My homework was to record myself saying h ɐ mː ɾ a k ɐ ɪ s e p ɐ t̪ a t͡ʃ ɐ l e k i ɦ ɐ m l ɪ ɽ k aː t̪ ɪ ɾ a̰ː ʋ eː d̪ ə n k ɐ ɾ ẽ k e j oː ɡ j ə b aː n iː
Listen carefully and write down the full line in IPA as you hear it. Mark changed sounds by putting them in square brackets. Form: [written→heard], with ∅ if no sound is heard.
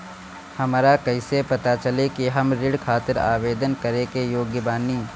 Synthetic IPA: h ɐ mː ɾ a k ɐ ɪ s e p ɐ t̪ a t͡ʃ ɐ l e k i ɦ ɐ m [l→ɾ] ɪ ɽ [k→kʰ] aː t̪ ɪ ɾ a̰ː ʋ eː d̪ ə n k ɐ ɾ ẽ k e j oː ɡ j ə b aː n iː